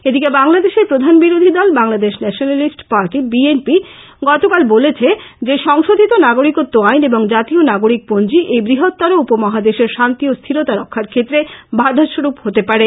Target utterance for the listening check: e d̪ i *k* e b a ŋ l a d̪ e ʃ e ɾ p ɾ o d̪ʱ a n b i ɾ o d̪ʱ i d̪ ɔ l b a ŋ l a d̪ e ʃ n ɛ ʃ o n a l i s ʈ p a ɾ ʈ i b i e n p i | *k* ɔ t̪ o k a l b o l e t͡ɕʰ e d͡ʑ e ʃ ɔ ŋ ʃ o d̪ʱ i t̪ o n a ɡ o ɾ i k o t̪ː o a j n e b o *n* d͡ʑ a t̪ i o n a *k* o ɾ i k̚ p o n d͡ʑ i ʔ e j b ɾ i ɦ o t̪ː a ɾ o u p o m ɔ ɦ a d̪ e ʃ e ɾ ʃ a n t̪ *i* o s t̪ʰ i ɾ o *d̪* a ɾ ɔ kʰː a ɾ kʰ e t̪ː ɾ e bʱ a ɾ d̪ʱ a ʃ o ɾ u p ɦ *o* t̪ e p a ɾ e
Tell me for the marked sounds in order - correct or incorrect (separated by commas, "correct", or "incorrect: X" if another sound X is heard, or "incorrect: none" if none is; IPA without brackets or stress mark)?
correct, incorrect: ɡ, incorrect: ŋ, incorrect: ɡ, correct, incorrect: t̪, correct